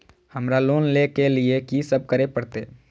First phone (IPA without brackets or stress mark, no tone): h